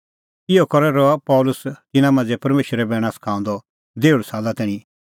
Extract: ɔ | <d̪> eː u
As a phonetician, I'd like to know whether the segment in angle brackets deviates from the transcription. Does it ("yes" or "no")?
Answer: no